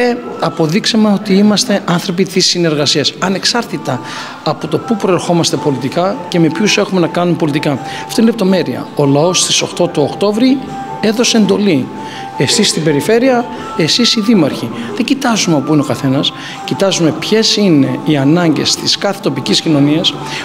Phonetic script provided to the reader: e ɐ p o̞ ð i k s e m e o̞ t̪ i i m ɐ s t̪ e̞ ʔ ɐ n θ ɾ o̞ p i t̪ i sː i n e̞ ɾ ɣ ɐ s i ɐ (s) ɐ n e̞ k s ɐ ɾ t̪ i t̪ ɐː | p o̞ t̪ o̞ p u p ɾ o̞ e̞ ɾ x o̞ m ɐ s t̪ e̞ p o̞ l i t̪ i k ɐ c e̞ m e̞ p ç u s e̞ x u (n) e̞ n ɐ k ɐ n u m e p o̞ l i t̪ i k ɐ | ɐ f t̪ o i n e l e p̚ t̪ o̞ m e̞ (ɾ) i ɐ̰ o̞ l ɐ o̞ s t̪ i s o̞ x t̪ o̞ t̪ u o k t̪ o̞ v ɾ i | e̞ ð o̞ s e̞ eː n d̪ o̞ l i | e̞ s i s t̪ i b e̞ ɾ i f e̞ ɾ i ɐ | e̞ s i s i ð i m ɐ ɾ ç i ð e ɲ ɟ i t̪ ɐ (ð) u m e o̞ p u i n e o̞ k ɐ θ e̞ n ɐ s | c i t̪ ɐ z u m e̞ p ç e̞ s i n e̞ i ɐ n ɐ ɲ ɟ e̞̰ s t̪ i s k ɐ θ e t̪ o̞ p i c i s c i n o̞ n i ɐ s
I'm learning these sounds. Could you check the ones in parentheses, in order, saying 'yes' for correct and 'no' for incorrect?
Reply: yes, no, yes, no

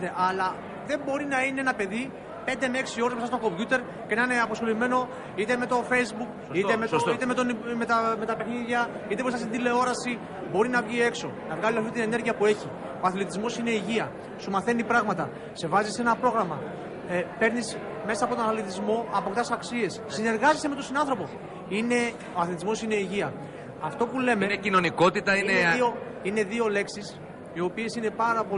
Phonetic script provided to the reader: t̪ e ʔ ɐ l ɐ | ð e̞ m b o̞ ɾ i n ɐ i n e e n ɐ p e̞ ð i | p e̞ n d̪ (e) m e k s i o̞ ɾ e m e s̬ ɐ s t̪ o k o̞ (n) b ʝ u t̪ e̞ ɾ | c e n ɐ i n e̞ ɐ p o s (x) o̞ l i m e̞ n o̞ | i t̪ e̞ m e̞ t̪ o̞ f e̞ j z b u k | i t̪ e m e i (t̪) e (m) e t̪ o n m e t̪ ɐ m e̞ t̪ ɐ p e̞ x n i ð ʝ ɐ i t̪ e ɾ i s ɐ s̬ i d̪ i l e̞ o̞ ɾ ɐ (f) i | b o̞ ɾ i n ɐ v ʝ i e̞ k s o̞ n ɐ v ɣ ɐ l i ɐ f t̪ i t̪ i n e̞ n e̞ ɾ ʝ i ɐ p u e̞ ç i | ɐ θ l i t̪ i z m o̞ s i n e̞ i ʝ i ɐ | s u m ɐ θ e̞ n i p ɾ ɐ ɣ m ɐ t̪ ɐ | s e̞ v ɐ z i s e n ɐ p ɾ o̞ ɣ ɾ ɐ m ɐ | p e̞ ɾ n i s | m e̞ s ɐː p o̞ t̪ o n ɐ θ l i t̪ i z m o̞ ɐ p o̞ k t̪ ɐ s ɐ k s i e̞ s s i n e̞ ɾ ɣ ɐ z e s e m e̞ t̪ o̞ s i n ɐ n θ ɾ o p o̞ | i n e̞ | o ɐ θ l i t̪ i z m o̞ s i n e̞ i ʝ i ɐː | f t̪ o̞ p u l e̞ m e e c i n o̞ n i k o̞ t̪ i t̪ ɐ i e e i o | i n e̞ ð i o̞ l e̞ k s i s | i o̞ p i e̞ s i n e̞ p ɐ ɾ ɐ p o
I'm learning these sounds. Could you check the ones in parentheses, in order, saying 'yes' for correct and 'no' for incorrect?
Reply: yes, no, yes, yes, yes, no

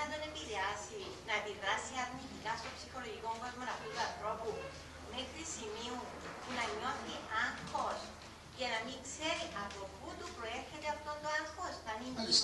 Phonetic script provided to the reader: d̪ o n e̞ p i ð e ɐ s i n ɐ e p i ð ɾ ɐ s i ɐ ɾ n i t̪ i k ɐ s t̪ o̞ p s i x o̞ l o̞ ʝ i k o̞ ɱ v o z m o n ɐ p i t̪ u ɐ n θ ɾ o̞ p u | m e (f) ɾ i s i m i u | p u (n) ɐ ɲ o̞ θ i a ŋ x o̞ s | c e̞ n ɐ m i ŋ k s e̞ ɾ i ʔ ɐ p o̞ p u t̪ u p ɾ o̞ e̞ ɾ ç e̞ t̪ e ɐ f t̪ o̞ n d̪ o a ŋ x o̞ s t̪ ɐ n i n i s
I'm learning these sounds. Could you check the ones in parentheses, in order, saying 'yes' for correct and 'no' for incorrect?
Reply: no, yes

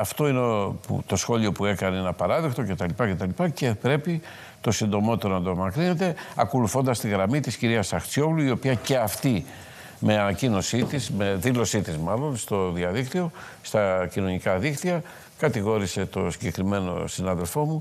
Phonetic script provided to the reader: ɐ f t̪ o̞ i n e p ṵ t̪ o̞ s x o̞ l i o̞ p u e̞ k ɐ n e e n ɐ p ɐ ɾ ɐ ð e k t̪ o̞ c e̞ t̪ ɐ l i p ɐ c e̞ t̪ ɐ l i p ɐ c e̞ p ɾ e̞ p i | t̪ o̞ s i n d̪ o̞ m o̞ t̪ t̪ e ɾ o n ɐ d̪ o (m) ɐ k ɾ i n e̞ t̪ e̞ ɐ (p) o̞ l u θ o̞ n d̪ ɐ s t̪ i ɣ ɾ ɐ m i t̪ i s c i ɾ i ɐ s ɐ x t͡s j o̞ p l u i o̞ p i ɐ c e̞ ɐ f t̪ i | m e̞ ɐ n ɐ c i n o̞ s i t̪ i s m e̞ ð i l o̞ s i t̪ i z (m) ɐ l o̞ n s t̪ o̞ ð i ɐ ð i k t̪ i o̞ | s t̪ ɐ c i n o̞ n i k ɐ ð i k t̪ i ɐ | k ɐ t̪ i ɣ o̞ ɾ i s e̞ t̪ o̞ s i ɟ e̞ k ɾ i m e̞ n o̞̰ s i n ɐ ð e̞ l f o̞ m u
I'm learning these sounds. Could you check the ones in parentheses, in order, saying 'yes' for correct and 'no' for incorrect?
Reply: yes, no, yes

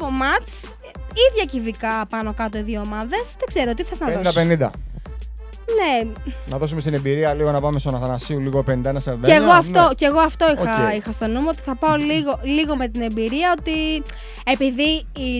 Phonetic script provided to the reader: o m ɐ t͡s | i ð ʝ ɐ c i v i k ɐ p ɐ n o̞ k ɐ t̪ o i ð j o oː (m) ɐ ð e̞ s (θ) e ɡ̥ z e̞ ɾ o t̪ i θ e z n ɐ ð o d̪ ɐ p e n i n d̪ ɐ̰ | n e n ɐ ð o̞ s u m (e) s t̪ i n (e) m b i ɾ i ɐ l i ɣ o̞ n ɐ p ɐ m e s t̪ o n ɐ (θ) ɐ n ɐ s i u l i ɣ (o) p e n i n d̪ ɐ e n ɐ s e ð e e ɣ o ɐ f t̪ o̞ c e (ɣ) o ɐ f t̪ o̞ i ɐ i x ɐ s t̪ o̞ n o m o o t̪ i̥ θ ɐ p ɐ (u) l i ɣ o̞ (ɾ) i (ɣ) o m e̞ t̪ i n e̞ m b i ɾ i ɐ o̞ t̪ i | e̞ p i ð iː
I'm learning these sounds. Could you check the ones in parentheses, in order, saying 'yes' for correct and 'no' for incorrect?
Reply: yes, no, yes, yes, yes, yes, yes, no, no, yes

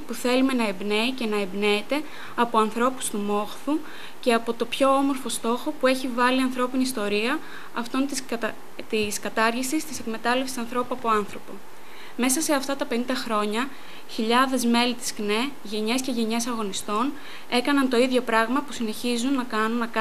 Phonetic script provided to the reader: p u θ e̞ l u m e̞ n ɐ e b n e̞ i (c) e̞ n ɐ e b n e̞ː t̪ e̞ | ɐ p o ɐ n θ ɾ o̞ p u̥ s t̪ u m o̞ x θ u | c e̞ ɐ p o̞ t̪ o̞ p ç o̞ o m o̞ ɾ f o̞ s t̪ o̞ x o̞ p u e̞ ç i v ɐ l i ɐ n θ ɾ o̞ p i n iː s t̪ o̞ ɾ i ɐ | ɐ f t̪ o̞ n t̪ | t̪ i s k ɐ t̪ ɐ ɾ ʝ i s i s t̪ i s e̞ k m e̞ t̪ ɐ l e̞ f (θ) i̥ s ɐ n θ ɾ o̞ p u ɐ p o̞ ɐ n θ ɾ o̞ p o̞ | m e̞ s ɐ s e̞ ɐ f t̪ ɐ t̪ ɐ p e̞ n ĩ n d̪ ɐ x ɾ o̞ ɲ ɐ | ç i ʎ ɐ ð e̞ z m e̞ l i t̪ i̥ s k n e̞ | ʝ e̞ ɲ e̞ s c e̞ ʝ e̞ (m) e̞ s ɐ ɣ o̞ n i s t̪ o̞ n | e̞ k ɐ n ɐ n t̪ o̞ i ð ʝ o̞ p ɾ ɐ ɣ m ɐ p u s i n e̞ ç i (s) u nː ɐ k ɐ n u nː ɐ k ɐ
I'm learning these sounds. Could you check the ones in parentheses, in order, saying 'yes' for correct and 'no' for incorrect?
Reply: yes, no, no, no

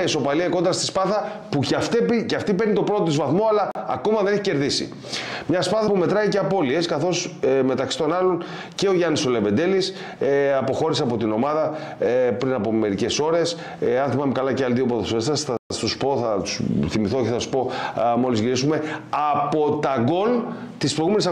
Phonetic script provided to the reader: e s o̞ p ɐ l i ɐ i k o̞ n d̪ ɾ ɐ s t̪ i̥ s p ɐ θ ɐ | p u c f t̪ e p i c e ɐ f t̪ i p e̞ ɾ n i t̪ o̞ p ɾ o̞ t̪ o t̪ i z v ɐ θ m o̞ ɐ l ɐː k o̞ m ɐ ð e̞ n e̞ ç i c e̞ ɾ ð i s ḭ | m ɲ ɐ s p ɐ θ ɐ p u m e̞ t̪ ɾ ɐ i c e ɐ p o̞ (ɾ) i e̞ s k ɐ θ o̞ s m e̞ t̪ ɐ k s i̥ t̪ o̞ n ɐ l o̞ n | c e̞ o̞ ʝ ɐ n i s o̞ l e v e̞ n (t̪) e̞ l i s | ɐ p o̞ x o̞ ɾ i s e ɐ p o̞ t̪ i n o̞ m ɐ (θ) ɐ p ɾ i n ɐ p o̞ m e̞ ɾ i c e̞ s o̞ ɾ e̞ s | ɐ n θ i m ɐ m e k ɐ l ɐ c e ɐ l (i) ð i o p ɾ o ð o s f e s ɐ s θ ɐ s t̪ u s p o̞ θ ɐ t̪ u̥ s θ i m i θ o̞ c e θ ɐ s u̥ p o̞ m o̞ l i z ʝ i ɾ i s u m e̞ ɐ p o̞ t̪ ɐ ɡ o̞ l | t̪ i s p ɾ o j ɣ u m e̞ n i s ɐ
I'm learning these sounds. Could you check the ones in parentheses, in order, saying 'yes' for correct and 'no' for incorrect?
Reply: no, no, no, yes

